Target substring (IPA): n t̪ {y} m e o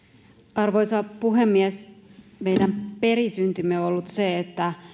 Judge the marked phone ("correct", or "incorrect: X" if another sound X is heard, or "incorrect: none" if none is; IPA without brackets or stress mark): correct